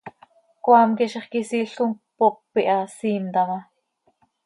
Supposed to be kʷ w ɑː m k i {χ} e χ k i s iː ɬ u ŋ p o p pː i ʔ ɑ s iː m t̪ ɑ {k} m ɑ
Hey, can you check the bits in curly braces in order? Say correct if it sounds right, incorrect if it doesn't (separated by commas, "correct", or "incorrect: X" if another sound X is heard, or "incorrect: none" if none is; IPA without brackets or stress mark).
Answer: incorrect: ʃ, incorrect: none